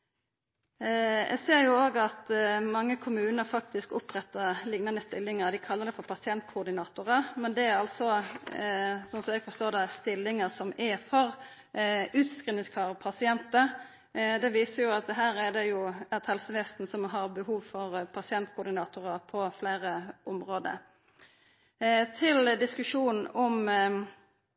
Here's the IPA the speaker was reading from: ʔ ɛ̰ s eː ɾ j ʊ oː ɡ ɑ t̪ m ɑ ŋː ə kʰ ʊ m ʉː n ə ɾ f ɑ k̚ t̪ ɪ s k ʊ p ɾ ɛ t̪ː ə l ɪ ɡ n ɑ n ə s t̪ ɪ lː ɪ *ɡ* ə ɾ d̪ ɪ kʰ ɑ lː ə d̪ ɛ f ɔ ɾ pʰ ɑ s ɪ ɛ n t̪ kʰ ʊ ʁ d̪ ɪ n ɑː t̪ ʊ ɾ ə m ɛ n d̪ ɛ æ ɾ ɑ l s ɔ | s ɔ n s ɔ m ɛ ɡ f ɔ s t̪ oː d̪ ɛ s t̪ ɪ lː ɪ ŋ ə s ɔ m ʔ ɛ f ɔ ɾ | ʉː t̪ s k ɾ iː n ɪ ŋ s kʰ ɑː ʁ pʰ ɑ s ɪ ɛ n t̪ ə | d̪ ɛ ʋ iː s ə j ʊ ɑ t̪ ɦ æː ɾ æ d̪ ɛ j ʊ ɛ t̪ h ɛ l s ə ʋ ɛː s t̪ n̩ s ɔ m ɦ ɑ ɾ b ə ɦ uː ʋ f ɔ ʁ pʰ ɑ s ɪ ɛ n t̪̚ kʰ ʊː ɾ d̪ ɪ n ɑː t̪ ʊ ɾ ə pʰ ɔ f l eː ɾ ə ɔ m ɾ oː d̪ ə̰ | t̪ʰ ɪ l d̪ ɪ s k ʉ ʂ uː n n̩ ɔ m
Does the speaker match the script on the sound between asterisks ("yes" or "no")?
no